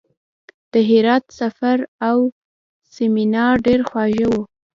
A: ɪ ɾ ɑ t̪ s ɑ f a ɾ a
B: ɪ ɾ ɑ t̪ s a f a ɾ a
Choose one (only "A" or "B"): B